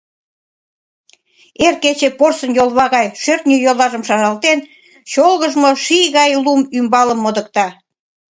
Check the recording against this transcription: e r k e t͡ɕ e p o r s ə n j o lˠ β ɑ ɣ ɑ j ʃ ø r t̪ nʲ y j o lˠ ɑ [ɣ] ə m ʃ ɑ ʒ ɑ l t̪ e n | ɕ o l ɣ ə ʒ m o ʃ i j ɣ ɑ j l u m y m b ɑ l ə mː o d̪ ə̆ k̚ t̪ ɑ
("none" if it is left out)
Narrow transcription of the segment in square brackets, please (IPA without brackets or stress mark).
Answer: ʒ